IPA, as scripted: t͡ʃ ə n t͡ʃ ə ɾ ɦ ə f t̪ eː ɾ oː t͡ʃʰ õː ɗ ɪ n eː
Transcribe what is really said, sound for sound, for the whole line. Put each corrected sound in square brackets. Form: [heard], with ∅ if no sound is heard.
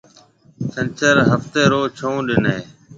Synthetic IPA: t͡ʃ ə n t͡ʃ ə ɾ ɦ ə f t̪ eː ɾ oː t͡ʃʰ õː ɗ ɪ n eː

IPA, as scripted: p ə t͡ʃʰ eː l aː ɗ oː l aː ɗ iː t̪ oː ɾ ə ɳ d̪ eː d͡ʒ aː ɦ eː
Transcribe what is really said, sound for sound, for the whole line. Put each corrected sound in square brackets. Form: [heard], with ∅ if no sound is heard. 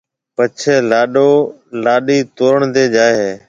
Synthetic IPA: p ə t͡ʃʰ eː l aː ɗ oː l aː ɗ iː t̪ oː ɾ ə ɳ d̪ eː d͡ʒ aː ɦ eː

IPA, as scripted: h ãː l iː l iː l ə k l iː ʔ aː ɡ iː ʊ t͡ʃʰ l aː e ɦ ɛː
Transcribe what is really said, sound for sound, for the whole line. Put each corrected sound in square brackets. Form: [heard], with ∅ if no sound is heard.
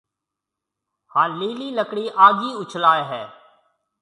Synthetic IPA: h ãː l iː l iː l ə k [ɽ] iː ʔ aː ɡ iː ʊ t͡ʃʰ l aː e ɦ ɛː

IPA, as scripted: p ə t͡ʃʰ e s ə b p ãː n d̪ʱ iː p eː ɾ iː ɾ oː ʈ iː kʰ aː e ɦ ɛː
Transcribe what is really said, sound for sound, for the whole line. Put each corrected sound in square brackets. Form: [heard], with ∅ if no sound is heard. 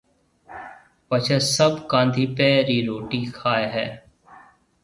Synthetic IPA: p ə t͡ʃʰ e s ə b [k] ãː n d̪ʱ iː p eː ɾ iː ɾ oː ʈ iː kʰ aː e ɦ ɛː

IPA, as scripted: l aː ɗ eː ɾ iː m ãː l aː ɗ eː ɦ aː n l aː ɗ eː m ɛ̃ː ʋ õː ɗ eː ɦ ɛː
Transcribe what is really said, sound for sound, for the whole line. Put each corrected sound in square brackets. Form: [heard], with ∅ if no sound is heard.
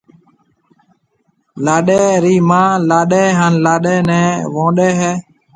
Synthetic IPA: l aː ɗ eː ɾ iː m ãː l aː ɗ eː ɦ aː n l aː ɗ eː [n] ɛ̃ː ʋ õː ɗ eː ɦ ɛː

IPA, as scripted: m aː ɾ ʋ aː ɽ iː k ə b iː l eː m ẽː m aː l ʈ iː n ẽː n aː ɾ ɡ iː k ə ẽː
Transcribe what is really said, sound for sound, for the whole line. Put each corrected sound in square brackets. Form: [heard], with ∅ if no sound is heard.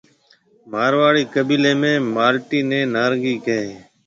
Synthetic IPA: m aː ɾ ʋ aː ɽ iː k ə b iː l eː m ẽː m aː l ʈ iː n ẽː n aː ɾ ɡ iː k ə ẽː

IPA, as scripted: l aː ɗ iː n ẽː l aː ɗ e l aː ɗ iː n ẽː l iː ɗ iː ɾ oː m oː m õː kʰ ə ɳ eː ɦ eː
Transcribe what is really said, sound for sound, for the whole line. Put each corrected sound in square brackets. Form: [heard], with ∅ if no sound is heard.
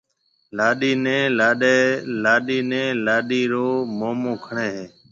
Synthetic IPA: l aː ɗ iː n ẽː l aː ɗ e l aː ɗ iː n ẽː l [aː] ɗ iː ɾ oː m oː m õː kʰ ə ɳ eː ɦ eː

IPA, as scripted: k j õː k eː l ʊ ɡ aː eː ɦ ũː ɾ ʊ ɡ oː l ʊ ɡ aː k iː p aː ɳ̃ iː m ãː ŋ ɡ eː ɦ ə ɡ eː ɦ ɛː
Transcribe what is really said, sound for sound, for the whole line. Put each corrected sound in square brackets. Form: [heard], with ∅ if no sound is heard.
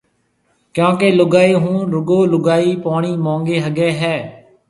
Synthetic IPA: k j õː k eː l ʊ ɡ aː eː ɦ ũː ɾ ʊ ɡ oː l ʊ ɡ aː [∅] iː p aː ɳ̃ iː m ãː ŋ ɡ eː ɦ ə ɡ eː ɦ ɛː

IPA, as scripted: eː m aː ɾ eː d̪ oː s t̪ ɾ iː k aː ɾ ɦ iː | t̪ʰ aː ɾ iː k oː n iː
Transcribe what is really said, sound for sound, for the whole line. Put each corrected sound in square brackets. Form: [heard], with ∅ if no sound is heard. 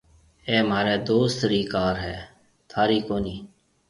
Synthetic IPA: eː m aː ɾ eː d̪ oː s t̪ ɾ iː k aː ɾ ɦ [ɛː] | t̪ʰ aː ɾ iː k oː n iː

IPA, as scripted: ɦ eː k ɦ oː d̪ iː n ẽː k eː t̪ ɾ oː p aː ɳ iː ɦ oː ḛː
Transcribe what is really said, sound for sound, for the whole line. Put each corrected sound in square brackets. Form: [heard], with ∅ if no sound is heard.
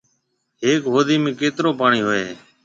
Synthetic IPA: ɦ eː k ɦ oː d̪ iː [m] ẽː k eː t̪ ɾ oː p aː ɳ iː ɦ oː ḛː

